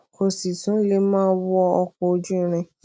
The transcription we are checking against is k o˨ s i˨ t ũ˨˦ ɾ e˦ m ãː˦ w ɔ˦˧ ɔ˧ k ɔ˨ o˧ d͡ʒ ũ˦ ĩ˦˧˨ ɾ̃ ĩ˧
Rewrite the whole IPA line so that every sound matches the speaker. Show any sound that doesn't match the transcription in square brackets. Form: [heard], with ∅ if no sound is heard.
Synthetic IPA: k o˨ s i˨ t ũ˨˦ [l] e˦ m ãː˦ w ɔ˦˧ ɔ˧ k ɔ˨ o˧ d͡ʒ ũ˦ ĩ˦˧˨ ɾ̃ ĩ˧